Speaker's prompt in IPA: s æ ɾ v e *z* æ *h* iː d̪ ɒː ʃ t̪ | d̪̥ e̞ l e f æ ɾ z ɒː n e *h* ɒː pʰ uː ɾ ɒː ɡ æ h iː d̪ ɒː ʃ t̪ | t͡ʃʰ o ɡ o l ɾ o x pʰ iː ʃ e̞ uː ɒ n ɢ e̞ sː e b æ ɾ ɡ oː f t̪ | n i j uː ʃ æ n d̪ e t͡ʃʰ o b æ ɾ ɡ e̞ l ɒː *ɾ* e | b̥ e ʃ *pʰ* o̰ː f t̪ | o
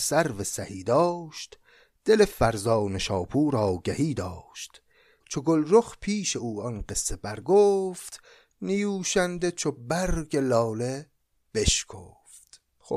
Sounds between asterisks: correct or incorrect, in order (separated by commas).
incorrect, correct, incorrect, incorrect, incorrect